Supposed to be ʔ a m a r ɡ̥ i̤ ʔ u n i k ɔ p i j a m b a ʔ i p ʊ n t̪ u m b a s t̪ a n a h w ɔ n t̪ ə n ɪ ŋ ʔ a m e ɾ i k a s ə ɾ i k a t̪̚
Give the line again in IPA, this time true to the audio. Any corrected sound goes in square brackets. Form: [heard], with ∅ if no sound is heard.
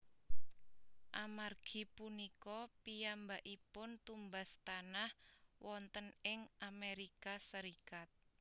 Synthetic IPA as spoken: ʔ a m a r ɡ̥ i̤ [p] u n i k ɔ p i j a m b a ʔ i p ʊ n t̪ u m b a s t̪ a n a h w ɔ n t̪ ə n ɪ ŋ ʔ a m e ɾ i k a s ə ɾ i k a t̪̚